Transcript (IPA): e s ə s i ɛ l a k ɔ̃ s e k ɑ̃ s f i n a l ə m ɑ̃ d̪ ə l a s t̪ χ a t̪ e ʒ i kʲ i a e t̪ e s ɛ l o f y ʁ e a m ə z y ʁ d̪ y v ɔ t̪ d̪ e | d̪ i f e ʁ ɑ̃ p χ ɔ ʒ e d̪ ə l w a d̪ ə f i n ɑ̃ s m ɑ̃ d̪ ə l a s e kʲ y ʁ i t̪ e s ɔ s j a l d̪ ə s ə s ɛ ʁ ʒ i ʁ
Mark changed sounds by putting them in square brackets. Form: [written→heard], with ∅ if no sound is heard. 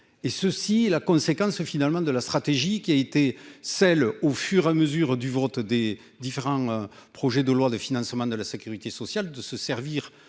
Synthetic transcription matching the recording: e s ə s i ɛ l a k ɔ̃ s e k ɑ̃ s f i n a l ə m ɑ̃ d̪ ə l a s t̪ χ a t̪ e ʒ i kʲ i a e t̪ e s ɛ l o f y ʁ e a m ə z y ʁ d̪ y v ɔ t̪ d̪ e | d̪ i f e ʁ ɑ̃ p χ ɔ ʒ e d̪ ə l w a d̪ ə f i n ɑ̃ s m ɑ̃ d̪ ə l a s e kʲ y ʁ i t̪ e s ɔ s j a l d̪ ə s ə s ɛ ʁ [ʒ→v] i ʁ